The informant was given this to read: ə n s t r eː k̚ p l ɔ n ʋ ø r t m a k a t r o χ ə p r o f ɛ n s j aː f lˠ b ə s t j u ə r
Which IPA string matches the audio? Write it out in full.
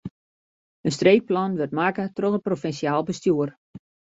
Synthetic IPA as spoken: ə n s t r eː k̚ p l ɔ n ʋ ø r t m a k ə t r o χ ə p r o f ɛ n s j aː lˠ b ə s t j u ə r